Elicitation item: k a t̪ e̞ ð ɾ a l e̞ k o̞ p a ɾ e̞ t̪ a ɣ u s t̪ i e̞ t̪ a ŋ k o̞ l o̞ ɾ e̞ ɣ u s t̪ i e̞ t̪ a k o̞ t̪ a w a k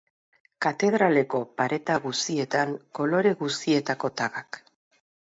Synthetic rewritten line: k a t̪ e̞ ð ɾ a l e̞ k o̞ p a ɾ e̞ t̪ a ɣ u s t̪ i e̞ t̪ a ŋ k o̞ l o̞ ɾ e̞ ɣ u s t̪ i e̞ t̪ a k o̞ t̪ a ɣ a k